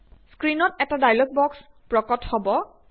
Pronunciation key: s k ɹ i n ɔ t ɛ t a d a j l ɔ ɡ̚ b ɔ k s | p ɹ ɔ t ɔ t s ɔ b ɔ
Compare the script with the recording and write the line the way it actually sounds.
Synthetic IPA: s k ɹ i n ɔ t ɛ t a d a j l ɔ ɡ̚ b ɔ k s | p ɹ ɔ k ɔ t h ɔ b ɔ